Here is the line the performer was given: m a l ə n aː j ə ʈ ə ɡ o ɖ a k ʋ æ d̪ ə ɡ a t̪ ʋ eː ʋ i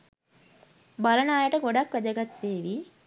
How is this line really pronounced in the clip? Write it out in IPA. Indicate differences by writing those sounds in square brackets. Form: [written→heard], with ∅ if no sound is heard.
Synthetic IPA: [m→b] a l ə n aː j ə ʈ ə ɡ o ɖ a k ʋ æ d̪ ə ɡ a t̪ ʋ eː ʋ i